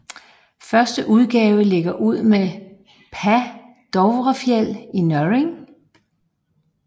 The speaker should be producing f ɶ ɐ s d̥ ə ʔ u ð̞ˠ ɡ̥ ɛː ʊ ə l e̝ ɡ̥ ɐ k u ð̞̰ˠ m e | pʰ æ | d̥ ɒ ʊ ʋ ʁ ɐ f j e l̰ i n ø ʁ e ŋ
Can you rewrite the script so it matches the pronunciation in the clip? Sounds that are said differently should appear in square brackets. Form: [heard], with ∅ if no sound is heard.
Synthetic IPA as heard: f ɶ ɐ s d̥ ə ʔ u ð̞ˠ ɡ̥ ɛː ʊ ə l e̝ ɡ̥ ɐ [ʔ] u ð̞̰ˠ m e | pʰ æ | d̥ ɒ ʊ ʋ ʁ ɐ f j e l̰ i n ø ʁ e ŋ